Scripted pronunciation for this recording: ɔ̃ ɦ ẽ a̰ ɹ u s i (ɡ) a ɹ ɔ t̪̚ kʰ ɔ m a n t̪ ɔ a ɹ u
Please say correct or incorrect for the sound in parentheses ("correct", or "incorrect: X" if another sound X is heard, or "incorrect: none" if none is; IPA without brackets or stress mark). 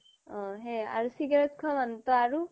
correct